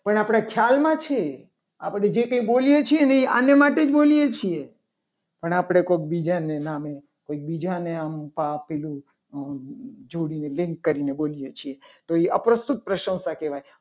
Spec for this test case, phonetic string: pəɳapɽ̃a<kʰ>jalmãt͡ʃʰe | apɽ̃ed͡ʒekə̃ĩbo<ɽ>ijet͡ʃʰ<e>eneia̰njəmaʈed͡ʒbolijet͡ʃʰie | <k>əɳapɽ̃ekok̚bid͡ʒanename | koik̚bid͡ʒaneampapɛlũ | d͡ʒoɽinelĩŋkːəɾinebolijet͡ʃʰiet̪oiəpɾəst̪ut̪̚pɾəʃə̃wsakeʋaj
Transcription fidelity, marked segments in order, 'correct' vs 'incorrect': correct, incorrect, incorrect, incorrect

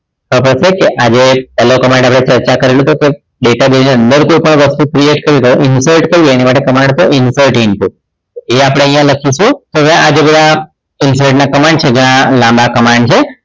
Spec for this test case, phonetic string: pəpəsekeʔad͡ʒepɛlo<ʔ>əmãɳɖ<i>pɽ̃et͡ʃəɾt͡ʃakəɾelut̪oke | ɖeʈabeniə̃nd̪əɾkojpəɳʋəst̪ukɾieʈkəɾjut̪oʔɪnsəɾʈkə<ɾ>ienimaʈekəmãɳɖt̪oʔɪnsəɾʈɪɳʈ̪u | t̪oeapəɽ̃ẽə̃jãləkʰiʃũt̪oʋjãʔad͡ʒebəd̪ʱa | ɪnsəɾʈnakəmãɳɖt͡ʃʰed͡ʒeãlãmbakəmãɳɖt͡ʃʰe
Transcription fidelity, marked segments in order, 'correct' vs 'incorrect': incorrect, incorrect, correct

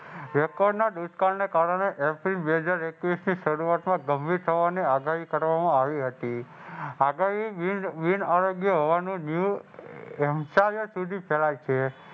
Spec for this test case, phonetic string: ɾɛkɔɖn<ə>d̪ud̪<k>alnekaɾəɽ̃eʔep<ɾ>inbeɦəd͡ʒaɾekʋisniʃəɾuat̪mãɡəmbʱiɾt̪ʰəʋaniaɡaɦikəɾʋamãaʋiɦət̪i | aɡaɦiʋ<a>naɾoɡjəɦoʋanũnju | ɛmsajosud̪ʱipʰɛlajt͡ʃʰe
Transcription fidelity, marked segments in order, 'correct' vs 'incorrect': incorrect, correct, correct, incorrect

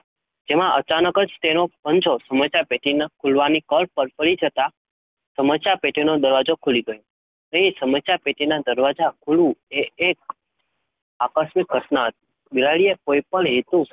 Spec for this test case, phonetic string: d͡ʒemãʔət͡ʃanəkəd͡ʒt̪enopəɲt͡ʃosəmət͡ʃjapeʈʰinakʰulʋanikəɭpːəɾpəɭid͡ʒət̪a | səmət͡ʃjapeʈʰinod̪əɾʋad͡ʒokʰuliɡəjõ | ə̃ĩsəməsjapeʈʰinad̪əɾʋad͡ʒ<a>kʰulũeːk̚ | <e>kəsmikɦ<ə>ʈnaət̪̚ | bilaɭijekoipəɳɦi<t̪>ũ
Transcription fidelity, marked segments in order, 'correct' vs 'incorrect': correct, incorrect, correct, correct

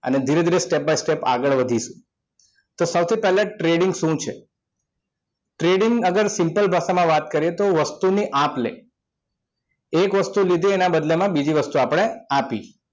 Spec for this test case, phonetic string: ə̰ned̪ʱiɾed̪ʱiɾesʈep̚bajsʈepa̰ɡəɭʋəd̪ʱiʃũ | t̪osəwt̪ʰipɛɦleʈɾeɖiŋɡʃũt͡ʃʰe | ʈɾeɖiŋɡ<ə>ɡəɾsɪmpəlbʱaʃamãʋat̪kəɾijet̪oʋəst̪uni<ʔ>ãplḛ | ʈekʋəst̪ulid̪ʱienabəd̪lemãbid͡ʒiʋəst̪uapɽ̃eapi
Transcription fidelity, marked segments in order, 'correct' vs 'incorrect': correct, correct

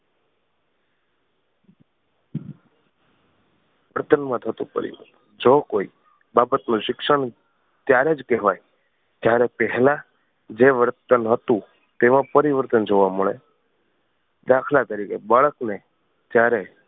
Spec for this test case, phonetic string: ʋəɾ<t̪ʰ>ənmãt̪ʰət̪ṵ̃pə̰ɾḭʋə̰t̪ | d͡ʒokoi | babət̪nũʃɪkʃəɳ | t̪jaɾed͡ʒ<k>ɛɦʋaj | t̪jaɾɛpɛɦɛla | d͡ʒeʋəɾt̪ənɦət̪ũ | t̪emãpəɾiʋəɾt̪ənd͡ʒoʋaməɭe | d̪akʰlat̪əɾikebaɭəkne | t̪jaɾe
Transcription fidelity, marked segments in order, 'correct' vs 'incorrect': incorrect, correct

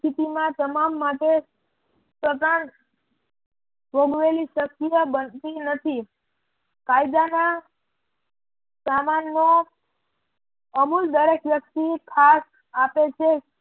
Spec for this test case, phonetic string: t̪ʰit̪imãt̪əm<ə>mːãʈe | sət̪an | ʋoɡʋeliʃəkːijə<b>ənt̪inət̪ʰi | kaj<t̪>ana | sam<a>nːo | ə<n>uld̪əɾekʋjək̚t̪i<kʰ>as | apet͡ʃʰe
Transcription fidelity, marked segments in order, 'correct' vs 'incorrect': incorrect, correct, incorrect, correct, incorrect, correct

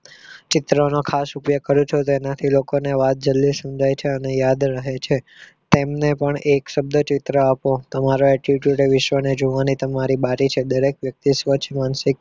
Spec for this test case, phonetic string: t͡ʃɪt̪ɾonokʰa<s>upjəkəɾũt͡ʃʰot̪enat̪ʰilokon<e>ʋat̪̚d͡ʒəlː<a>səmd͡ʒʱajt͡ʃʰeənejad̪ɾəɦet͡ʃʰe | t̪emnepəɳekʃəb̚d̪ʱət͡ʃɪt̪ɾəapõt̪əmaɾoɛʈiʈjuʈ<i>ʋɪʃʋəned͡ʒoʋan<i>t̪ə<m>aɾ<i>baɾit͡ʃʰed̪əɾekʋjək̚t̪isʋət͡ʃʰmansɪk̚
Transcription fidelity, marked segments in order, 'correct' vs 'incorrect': correct, correct, incorrect, incorrect, correct, correct, correct

